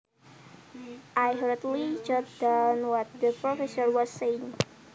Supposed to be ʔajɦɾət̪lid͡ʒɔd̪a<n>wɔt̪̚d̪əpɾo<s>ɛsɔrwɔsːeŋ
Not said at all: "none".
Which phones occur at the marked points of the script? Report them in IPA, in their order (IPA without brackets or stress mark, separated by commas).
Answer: n, f